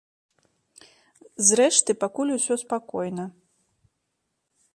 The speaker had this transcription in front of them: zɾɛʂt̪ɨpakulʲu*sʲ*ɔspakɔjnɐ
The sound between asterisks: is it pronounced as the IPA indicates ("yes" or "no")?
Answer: yes